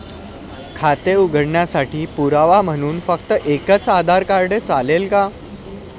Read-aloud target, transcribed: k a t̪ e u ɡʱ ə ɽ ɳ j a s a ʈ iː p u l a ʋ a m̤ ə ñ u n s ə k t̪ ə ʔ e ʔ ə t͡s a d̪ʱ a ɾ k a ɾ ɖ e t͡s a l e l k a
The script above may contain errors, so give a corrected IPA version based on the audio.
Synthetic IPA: kʰ a t̪ e u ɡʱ ə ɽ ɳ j a s a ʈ iː p u ɾ a ʋ a m̤ ə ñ uː n f ə k t̪ ə ʔ e k ə t͡s a d̪ʱ a ɾ k a ɾ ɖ e t͡s a l e l k a